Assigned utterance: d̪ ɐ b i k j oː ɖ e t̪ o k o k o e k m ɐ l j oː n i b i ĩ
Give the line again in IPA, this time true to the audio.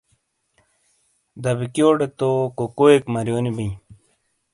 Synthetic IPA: d̪ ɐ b i k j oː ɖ e t̪ o k o k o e k m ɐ ɾ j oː n i b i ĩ